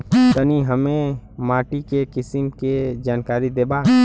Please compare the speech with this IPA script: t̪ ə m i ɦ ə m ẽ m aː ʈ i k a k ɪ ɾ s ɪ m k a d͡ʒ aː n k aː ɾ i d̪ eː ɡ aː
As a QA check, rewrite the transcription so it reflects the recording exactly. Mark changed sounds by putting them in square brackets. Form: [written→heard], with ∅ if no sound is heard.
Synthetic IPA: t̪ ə [m→n] i ɦ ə m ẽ m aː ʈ i k [a→e] k ɪ [ɾ→∅] s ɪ m k [a→e] d͡ʒ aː n k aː ɾ i d̪ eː [ɡ→b] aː